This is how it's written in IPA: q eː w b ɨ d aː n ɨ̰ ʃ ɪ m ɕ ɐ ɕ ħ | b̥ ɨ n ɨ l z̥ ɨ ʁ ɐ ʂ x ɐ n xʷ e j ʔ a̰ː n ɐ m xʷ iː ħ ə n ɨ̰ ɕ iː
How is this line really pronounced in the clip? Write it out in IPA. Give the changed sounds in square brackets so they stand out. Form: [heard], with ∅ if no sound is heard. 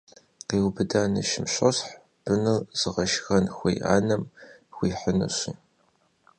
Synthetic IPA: q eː w b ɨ d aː n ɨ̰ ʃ ɪ m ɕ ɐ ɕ ħ | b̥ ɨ n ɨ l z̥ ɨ ʁ ɐ [ʃ] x ɐ n xʷ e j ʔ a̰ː n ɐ m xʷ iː ħ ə n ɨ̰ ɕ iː